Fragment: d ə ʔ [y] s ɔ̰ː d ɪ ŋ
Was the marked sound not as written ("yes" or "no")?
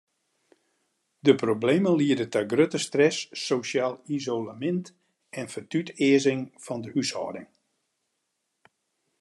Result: no